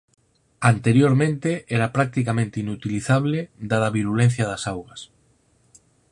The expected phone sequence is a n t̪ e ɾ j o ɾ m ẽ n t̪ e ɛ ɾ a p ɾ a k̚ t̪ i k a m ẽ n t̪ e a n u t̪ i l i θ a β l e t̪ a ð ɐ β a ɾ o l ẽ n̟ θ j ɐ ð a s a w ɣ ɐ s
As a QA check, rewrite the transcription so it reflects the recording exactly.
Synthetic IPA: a n t̪ e ɾ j o ɾ m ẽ n t̪ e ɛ ɾ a p ɾ a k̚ t̪ i k a m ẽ n t̪ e i n u t̪ i l i θ a β l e d̪ a ð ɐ β i ɾ u l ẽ n̟ θ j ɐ ð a s a w ɣ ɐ s